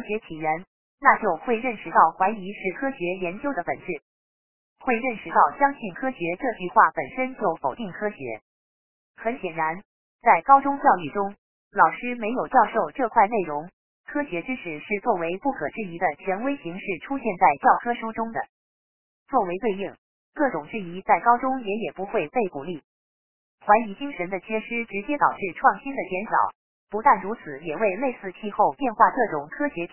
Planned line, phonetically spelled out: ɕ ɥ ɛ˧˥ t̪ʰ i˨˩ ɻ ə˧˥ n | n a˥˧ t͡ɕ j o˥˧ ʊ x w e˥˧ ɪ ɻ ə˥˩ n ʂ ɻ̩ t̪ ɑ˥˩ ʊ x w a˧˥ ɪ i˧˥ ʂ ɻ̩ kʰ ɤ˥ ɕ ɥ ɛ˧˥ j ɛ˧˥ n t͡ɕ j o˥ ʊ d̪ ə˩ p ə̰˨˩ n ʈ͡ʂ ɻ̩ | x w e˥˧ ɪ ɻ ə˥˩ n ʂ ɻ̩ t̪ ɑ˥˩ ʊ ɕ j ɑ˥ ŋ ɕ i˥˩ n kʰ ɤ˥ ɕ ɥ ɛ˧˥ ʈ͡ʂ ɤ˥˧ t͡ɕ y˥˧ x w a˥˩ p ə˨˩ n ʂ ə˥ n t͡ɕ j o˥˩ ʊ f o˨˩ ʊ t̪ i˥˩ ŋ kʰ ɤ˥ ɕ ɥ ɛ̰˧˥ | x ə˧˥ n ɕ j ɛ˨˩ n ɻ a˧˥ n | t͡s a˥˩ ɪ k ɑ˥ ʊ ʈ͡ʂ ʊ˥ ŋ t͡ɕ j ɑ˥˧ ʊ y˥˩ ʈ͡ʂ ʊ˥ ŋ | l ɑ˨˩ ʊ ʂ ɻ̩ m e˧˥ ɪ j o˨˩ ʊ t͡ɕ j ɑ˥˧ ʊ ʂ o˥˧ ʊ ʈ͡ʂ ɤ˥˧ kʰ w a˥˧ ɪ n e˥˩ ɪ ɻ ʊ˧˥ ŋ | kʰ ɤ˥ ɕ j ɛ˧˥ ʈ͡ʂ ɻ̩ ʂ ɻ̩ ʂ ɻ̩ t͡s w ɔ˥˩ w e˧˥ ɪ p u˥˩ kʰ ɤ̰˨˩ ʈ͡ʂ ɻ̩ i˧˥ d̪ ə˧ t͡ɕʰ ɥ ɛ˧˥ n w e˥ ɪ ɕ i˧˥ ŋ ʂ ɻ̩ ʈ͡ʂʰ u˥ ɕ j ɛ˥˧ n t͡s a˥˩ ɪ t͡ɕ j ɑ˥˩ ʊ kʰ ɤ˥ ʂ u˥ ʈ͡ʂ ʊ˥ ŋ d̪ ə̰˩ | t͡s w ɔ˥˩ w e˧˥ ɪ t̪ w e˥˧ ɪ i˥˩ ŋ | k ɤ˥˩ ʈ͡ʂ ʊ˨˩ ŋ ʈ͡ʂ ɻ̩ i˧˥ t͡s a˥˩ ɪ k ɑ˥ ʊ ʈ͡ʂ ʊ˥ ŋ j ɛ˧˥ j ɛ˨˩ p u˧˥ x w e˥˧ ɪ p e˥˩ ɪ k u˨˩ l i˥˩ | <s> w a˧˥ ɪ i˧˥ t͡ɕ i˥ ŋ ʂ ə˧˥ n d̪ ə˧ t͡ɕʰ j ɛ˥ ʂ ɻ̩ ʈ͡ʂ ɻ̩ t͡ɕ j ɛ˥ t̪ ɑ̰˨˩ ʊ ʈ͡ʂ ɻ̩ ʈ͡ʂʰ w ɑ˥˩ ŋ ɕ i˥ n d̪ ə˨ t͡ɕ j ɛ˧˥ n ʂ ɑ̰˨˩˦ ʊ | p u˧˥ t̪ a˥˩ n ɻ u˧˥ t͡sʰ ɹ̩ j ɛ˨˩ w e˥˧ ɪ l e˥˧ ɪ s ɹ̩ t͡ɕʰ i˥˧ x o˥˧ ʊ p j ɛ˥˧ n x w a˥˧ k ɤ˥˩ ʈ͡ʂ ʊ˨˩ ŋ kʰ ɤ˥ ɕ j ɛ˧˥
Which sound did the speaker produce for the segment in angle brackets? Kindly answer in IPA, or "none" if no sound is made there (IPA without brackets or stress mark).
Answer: x